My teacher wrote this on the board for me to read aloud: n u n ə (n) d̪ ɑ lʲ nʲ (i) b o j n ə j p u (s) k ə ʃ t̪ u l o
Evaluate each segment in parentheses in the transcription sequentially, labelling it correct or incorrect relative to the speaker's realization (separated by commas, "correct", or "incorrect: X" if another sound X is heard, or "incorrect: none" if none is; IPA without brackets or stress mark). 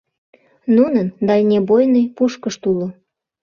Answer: correct, incorrect: e, incorrect: ʃ